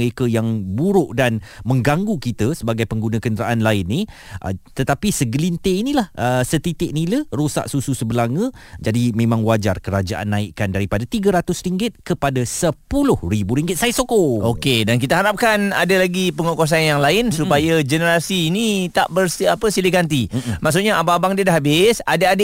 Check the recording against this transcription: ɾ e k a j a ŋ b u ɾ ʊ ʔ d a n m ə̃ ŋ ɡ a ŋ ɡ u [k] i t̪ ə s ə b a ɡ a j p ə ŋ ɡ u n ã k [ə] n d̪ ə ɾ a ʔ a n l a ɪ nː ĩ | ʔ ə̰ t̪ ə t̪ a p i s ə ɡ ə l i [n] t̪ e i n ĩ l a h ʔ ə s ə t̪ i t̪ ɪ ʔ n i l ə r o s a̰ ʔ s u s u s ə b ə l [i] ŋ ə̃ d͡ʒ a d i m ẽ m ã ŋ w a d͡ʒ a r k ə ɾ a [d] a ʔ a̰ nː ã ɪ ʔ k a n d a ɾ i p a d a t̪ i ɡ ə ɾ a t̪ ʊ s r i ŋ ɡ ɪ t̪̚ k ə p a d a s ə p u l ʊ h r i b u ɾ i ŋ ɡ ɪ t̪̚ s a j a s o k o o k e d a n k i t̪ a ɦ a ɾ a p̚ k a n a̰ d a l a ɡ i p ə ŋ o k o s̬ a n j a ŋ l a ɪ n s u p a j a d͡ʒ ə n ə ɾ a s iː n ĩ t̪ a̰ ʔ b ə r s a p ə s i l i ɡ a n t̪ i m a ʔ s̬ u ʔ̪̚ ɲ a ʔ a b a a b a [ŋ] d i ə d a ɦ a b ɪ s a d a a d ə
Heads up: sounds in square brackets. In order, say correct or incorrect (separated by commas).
correct, correct, correct, incorrect, incorrect, correct